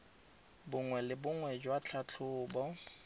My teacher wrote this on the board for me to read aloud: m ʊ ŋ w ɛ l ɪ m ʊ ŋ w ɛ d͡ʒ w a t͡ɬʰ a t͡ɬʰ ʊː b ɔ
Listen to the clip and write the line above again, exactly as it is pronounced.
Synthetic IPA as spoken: b ʊ ŋ w ɛ l ɪ b ʊ ŋ w ɛ d͡ʒ w a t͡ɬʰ a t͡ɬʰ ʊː b ɔ